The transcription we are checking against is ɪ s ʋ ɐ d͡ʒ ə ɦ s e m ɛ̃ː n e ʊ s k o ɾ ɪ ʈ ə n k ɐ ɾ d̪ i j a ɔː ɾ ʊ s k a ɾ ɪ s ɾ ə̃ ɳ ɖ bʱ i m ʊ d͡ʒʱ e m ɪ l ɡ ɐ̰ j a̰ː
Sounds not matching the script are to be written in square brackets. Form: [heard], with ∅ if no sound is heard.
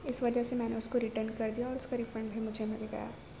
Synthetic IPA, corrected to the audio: ɪ s ʋ ɐ d͡ʒ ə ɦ s e m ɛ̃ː n e ʊ s k o ɾ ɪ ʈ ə n k ɐ ɾ d̪ i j a ɔː ɾ ʊ s k a ɾ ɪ [f] ɾ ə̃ ɳ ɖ bʱ i m ʊ d͡ʒʱ e m ɪ l ɡ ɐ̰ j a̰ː

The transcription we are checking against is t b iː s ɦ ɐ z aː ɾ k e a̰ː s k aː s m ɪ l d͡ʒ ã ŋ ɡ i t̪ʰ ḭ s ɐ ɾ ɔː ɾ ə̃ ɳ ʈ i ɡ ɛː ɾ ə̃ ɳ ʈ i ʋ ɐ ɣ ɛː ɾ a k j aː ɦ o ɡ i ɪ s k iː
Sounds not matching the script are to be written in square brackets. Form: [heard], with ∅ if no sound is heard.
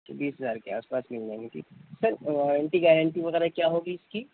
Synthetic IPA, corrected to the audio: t b iː s ɦ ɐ z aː ɾ k e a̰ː s [p] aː s m ɪ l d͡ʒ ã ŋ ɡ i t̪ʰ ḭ s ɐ ɾ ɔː ɾ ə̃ ɳ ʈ i ɡ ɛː ɾ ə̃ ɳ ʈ i ʋ ɐ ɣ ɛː ɾ a k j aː ɦ o ɡ i ɪ s k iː

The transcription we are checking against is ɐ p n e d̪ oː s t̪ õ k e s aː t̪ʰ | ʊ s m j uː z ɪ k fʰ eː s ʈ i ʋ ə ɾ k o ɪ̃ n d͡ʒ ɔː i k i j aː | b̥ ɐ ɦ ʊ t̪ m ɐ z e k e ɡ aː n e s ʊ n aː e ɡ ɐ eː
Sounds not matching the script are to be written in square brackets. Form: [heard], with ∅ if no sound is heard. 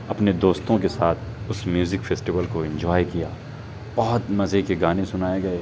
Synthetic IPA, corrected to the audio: ɐ p n e d̪ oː s t̪ õ k e s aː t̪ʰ | ʊ s m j uː z ɪ k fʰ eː s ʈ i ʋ ə [l] k o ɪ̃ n d͡ʒ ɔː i k i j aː | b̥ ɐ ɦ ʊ t̪ m ɐ z e k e ɡ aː n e s ʊ n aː e ɡ ɐ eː

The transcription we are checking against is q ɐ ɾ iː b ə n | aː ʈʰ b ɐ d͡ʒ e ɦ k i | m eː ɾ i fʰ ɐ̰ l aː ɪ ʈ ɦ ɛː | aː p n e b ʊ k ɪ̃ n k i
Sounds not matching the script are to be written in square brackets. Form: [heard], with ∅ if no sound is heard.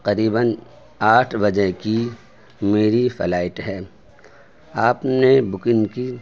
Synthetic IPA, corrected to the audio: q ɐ ɾ iː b ə n | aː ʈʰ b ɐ d͡ʒ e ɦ k i | m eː ɾ i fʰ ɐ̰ l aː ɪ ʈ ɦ ɛː | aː p n e b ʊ k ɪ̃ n k i

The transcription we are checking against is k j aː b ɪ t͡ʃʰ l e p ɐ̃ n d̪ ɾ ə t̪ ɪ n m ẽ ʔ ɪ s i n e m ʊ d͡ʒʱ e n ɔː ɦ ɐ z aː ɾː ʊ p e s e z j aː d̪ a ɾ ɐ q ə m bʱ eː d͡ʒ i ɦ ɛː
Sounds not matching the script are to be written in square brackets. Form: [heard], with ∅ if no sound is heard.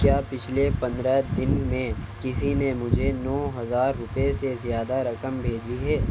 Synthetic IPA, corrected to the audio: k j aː [p] ɪ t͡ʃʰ l e p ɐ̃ n d̪ ɾ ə [d̪] ɪ n m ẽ [k] ɪ s i n e m ʊ d͡ʒʱ e n ɔː ɦ ɐ z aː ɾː ʊ p e s e z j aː d̪ a ɾ ɐ [k] ə m bʱ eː d͡ʒ i ɦ ɛː

